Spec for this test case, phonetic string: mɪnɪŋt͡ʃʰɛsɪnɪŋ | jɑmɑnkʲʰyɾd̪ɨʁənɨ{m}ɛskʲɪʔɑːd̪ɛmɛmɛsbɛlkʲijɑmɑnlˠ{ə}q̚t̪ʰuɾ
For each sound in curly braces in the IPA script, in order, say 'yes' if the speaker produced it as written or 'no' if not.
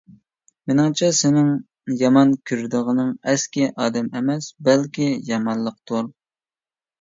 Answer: no, yes

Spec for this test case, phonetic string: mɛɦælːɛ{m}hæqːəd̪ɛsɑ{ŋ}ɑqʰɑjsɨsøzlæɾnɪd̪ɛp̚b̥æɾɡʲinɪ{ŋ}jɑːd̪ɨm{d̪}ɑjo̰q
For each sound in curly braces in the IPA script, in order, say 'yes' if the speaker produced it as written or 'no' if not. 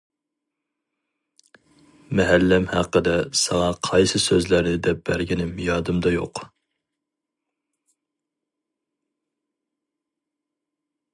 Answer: yes, yes, no, yes

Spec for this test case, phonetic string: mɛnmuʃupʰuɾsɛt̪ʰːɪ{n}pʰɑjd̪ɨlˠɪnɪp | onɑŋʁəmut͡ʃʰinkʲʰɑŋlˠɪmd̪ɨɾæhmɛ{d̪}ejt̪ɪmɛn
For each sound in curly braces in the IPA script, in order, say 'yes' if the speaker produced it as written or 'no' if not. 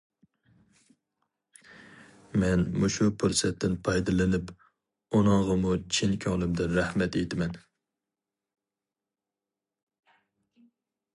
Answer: yes, no

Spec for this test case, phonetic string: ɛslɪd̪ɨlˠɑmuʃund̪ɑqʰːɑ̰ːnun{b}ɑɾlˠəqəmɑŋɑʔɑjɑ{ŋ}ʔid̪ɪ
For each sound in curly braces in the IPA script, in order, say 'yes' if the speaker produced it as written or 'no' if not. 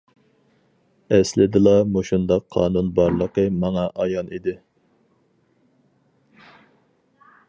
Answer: yes, no

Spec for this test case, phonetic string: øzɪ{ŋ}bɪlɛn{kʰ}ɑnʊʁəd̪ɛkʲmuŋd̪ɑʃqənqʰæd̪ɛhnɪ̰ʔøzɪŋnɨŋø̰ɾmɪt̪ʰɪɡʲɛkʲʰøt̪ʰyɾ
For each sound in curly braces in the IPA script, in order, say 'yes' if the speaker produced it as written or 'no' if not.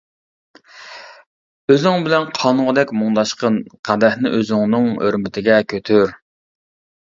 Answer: yes, no

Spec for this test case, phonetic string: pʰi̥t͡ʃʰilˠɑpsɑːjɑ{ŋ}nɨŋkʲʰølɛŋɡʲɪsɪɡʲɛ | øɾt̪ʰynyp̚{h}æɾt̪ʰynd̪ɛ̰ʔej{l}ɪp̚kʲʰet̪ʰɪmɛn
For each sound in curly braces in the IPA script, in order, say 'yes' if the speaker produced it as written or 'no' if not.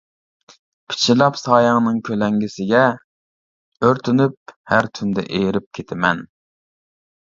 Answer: yes, yes, no

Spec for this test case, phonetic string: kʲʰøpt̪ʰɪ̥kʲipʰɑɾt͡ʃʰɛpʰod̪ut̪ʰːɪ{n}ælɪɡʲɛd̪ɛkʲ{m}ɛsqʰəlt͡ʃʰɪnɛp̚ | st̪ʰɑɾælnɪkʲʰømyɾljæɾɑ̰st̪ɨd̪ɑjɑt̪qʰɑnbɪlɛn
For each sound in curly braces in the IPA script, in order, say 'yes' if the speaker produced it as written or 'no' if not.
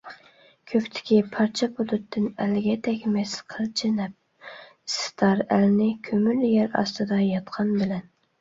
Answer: yes, yes

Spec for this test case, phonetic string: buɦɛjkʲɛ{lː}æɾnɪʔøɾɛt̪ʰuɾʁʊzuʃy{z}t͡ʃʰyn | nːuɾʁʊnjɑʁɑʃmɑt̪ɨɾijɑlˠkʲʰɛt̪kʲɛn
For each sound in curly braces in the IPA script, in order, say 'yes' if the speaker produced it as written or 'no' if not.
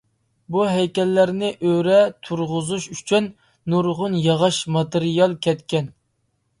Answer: yes, no

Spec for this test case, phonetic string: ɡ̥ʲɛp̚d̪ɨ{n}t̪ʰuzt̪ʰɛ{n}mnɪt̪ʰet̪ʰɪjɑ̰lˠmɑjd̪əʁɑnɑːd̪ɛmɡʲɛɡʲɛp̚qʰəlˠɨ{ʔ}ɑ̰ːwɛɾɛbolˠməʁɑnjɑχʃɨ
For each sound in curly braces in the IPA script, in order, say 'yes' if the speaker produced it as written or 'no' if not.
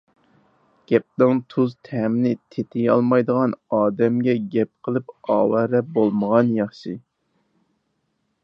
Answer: no, no, no

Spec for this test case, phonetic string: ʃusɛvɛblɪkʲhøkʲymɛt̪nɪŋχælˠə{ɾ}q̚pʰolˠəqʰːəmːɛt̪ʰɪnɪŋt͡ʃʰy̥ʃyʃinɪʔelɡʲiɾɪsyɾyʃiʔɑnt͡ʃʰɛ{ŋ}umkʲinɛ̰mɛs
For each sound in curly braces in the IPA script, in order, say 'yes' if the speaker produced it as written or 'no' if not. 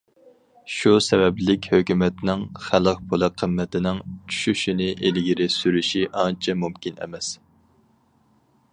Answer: no, no

